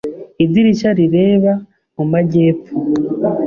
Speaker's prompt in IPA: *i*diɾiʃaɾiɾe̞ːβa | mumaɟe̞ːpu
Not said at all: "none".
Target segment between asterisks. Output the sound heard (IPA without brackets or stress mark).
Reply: i